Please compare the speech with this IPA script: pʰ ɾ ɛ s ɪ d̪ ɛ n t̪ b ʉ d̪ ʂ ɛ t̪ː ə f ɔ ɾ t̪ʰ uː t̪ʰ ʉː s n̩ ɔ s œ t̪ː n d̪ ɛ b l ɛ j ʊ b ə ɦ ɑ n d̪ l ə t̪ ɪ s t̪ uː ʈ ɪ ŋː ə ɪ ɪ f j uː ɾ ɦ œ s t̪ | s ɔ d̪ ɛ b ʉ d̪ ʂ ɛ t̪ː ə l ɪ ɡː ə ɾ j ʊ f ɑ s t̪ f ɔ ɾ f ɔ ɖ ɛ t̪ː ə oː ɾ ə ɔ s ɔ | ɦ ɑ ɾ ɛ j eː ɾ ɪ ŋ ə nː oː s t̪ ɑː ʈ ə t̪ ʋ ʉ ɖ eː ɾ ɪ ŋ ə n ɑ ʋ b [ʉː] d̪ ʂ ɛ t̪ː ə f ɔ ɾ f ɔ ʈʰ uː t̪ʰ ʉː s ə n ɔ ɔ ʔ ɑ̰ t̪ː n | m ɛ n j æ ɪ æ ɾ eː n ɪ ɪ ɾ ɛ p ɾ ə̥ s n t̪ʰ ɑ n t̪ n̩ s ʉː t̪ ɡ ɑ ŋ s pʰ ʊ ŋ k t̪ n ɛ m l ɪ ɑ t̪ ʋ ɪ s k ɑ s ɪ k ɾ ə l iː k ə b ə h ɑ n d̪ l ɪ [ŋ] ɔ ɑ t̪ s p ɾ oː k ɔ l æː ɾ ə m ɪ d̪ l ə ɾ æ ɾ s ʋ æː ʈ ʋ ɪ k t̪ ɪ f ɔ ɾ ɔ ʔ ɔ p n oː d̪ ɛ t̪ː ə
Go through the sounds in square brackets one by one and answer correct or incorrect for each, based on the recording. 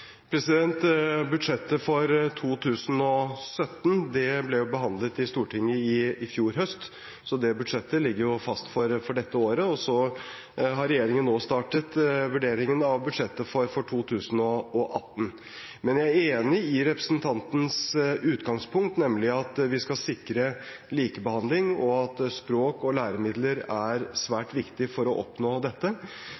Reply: incorrect: ʉ, correct

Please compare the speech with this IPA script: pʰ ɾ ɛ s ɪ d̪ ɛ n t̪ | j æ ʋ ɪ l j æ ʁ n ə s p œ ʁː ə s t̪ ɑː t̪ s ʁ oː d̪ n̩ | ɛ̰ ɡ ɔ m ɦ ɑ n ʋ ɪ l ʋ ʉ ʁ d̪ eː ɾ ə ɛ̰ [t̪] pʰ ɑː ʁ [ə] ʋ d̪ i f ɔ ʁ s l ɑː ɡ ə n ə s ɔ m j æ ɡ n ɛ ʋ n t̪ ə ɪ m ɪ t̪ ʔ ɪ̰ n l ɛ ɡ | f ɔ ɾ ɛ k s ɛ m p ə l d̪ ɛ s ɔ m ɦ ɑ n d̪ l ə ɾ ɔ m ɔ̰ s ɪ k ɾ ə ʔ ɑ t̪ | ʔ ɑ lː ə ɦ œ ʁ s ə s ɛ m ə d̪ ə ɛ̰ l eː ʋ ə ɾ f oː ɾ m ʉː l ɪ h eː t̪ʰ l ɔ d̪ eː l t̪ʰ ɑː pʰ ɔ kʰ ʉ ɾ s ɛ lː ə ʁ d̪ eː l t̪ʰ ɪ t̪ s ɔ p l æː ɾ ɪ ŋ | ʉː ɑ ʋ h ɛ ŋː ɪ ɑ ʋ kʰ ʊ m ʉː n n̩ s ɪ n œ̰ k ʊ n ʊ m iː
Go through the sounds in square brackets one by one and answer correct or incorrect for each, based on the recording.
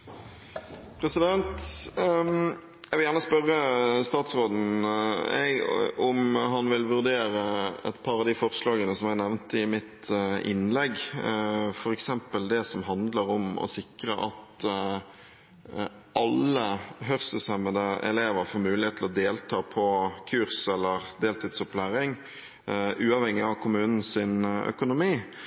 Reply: correct, incorrect: ɑ

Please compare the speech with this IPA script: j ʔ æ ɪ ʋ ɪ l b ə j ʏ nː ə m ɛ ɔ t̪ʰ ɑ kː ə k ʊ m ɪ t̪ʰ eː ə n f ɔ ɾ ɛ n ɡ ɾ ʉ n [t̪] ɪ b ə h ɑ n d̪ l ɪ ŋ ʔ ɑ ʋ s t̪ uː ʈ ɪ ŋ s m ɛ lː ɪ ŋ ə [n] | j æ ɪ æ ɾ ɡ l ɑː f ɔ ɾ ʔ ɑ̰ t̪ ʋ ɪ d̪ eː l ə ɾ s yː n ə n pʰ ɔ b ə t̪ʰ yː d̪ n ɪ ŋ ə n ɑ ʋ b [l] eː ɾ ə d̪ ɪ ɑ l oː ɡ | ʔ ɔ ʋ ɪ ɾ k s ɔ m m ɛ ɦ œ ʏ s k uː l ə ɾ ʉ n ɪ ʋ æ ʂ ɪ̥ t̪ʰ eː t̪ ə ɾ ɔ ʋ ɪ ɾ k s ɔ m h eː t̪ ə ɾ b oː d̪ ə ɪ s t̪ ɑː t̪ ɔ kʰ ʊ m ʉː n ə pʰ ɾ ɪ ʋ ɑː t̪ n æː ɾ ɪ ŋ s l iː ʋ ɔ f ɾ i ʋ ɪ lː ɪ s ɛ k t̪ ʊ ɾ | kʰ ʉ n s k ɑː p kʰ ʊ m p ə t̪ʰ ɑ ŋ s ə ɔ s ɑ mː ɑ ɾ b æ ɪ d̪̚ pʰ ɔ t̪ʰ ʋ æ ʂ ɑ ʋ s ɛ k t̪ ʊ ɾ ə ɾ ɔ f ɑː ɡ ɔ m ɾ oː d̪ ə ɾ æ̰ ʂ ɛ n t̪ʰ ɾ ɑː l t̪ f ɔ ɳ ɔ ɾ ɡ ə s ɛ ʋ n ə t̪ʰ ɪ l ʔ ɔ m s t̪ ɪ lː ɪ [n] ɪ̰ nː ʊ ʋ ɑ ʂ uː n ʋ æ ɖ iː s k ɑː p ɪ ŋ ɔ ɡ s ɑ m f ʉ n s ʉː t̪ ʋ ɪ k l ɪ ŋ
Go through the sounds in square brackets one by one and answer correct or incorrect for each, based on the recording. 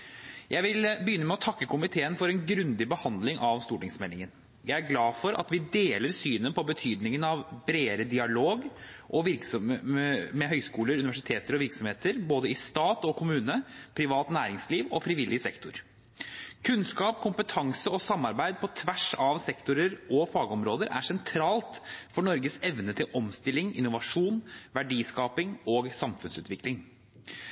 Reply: incorrect: d̪, correct, incorrect: ɾ, incorrect: ŋ

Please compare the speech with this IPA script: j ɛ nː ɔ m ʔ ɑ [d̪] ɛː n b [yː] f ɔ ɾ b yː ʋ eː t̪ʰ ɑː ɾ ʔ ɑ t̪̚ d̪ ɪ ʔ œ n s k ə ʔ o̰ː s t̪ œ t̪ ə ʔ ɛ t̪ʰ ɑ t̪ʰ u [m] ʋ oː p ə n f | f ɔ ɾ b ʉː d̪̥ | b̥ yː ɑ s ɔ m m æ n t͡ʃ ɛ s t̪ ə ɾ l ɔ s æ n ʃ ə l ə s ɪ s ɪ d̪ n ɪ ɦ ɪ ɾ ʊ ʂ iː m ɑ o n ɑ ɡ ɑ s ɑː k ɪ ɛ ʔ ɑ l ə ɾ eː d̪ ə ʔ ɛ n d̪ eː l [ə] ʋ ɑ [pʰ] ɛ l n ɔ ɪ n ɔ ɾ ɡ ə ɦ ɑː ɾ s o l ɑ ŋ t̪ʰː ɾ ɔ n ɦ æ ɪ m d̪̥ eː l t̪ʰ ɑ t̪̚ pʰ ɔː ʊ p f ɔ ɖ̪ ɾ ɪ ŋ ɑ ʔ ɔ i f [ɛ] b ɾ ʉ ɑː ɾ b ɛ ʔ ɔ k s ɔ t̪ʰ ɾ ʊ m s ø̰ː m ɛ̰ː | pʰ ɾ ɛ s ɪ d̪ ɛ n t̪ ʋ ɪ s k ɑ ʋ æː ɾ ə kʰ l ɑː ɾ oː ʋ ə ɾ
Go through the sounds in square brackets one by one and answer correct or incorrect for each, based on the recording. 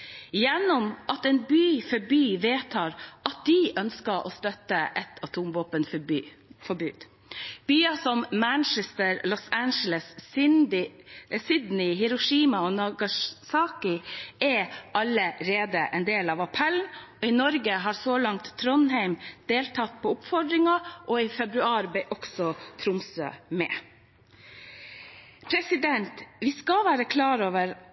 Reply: incorrect: t̪, correct, correct, incorrect: ɑ, correct, correct

